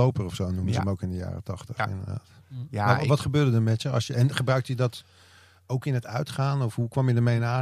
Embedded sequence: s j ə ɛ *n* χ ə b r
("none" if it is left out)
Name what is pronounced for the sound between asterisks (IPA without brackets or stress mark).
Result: n